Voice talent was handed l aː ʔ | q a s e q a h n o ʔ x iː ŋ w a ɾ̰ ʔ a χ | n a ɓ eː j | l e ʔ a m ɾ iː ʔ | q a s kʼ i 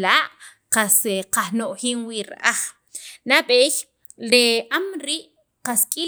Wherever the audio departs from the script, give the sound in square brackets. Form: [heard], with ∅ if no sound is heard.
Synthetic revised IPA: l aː ʔ | q a s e q a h n o ʔ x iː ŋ w [i] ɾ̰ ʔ a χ | n a ɓ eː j | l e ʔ a m ɾ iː ʔ | q a s kʼ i